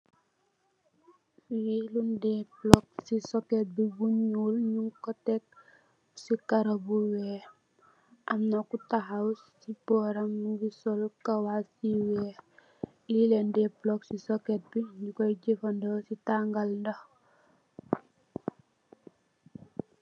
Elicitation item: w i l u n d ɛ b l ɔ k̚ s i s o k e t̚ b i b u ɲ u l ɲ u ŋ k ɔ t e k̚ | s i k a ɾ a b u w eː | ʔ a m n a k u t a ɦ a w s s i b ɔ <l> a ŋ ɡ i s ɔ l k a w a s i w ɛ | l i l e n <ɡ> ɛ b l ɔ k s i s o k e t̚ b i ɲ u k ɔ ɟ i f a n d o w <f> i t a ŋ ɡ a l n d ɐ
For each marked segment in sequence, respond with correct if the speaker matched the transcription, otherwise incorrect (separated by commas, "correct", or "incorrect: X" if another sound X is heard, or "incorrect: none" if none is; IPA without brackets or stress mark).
incorrect: ɾ, incorrect: d, incorrect: s